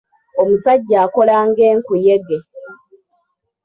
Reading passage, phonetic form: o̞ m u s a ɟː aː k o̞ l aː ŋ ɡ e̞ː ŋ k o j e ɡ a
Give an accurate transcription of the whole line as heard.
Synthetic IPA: o̞ m u s a ɟː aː k o̞ l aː ŋ ɡ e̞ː ŋ k u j e ɡ e